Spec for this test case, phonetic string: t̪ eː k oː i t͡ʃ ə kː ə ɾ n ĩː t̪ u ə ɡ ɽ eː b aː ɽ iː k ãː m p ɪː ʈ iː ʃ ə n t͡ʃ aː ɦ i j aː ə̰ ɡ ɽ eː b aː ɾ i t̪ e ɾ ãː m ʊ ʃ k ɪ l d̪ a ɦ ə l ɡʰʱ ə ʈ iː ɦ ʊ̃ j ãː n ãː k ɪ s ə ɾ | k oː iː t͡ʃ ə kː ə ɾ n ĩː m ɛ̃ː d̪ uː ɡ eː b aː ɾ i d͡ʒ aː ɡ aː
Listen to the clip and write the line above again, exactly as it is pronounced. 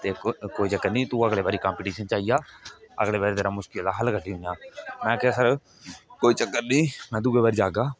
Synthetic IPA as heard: t̪ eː k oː i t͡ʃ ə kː ə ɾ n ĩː t̪ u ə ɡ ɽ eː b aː ɾ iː k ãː m p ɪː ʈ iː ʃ ə n t͡ʃ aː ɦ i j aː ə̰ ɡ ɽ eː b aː ɾ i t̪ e ɾ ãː m ʊ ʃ k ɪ l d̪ a ɦ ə l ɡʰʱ ə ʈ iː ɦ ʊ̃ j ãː n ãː k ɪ s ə ɾ | k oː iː t͡ʃ ə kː ə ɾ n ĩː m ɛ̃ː d̪ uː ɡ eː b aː ɾ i d͡ʒ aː ɡ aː